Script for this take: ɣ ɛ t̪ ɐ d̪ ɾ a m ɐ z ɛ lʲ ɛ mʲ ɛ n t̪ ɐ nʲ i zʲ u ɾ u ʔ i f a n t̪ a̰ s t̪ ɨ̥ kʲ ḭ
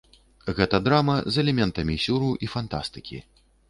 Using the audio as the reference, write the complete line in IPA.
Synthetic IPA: ɣ ɛ t̪ ɐ d̪ ɾ a m ɐ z ɛ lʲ ɛ mʲ ɛ n t̪ ɐ mʲ i sʲ u ɾ u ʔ i f a n t̪ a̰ s t̪ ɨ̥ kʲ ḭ